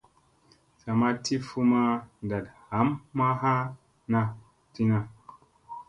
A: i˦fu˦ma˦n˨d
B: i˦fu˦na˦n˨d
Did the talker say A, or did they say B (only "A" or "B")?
A